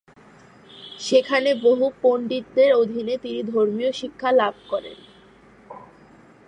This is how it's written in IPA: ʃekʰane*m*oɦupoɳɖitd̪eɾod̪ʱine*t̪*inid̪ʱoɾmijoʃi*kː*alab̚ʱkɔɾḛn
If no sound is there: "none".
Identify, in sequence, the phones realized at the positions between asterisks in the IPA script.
b, t̪, kʰː

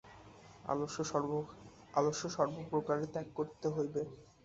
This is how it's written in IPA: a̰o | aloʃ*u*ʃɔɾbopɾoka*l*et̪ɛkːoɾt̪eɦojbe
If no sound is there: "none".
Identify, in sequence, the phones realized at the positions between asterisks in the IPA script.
o, ɾ

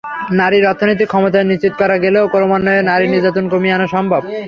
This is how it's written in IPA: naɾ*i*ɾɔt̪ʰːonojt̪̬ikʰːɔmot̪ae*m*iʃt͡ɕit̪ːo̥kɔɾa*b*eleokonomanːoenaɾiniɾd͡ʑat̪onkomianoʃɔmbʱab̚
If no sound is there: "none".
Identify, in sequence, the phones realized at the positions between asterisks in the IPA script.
i, n, ɡ

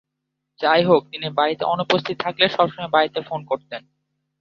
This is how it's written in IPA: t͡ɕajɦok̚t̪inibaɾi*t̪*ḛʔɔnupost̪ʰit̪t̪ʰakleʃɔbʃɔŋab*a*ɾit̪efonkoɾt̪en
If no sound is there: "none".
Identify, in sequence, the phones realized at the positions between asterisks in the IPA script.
t̪, a

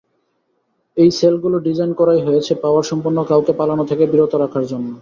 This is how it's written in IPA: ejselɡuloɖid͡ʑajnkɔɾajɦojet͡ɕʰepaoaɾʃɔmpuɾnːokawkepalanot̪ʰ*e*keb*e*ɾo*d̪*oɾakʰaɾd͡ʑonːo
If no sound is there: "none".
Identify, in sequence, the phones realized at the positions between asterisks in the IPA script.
e, i, t̪

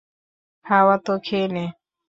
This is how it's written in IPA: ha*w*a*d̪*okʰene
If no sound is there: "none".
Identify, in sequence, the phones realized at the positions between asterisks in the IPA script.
w, t̪

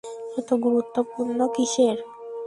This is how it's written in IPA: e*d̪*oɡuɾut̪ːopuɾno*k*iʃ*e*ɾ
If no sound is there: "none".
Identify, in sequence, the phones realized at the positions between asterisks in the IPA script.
t̪, k, e

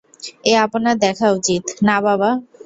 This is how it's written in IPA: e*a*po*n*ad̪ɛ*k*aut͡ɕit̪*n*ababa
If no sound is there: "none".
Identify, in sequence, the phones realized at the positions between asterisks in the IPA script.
a, n, kʰ, n

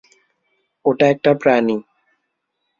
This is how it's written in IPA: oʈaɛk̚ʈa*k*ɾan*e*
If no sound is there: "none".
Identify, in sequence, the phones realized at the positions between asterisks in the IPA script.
p, i

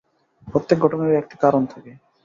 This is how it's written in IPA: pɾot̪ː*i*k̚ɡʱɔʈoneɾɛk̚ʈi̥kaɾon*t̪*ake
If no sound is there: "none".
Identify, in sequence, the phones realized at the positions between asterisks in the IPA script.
e, t̪ʰ

